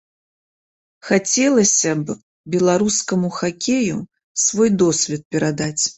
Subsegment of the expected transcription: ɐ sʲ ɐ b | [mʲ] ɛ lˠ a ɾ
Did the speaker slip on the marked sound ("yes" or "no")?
yes